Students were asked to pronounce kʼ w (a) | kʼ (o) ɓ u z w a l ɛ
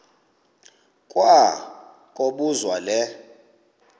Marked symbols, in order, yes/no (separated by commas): yes, yes